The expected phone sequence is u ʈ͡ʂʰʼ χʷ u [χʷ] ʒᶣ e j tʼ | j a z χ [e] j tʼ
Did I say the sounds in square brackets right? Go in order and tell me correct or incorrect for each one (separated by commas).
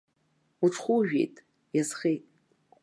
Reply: incorrect, correct